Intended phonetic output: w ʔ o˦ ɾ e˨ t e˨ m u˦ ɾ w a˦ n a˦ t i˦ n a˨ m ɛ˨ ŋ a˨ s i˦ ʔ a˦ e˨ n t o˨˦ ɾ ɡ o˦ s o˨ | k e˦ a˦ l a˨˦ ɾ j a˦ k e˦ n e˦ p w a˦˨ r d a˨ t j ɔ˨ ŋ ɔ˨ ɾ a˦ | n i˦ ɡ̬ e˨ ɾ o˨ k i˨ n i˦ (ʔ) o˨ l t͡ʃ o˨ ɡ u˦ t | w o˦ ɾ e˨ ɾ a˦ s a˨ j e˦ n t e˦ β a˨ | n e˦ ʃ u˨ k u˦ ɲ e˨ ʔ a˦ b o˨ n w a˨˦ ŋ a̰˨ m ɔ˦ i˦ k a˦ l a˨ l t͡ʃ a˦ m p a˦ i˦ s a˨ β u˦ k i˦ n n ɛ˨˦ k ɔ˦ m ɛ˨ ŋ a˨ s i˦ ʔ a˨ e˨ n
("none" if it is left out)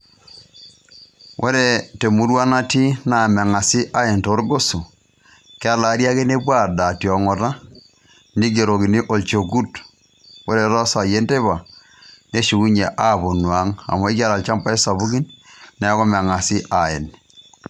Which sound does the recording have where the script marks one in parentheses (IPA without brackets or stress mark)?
ʔ